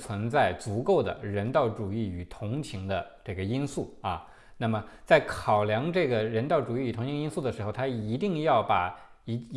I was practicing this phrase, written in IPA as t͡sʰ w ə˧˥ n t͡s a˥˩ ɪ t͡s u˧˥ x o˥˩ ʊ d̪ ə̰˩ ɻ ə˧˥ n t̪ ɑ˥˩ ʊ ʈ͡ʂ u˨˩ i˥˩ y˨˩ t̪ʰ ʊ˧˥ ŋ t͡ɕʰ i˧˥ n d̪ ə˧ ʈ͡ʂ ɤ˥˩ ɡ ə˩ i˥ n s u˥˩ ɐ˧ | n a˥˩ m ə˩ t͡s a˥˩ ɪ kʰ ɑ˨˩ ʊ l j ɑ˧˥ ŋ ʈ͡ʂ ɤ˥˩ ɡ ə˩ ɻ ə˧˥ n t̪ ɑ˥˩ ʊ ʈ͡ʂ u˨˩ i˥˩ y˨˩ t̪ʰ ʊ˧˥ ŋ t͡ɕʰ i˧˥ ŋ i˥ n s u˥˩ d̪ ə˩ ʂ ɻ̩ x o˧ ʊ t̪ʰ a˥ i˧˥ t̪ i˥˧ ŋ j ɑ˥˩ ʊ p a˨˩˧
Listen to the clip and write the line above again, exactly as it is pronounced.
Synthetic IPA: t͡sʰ w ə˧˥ n t͡s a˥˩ ɪ t͡s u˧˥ k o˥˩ ʊ d̪ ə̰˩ ɻ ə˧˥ n t̪ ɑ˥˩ ʊ ʈ͡ʂ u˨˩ i˥˩ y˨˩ t̪ʰ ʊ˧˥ ŋ t͡ɕʰ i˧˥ ŋ d̪ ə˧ ʈ͡ʂ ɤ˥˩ ɡ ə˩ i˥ n s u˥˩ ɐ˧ | n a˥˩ m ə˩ t͡s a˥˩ ɪ kʰ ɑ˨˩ ʊ l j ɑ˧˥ ŋ ʈ͡ʂ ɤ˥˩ ɡ ə˩ ɻ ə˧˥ n t̪ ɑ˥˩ ʊ ʈ͡ʂ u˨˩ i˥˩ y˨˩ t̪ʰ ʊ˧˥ ŋ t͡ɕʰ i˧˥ ŋ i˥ n s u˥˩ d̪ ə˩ ʂ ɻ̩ x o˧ ʊ t̪ʰ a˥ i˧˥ t̪ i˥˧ ŋ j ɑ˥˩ ʊ p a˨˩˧